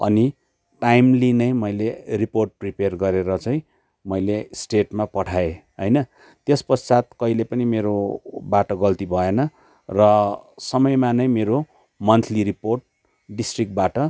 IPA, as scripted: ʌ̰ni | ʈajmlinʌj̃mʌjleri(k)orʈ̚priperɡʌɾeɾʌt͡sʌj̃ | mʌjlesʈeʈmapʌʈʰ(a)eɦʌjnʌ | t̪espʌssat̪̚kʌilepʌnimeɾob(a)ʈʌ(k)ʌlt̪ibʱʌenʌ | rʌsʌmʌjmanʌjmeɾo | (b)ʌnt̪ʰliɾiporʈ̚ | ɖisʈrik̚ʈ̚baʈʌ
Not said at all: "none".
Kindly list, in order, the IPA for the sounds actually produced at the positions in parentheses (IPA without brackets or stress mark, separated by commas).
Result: p, a, a, ɡ, m